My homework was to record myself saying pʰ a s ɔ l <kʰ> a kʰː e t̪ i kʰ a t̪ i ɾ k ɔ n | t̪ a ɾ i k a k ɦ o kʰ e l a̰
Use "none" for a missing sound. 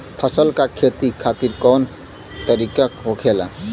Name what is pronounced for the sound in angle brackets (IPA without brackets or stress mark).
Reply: k